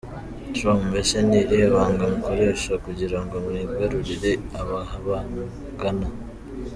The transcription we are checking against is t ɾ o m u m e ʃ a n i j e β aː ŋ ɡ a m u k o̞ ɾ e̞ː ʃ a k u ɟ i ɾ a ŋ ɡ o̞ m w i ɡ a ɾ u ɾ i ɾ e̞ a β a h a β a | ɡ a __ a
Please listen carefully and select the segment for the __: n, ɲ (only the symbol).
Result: n